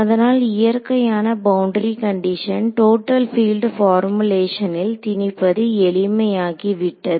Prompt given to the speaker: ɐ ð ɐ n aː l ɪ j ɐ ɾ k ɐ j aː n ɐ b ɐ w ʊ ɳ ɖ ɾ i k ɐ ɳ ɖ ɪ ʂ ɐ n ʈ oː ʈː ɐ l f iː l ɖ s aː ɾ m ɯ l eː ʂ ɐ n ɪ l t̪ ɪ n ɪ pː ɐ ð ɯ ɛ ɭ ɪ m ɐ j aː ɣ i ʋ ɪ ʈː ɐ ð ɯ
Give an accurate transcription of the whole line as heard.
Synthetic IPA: ɐ ð ɐ n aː l ɪ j ɐ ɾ k ɐ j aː n ɐ b ɐ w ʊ ɳ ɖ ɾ i k ɐ ɳ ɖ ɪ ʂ ɐ n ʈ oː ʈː ɐ l f iː l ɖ f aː ɾ m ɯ l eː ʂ ɐ n ɪ l t̪ ɪ n ɪ pː ɐ ð ɯ ɛ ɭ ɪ m ɐ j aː ɣ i ʋ ɪ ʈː ɐ ð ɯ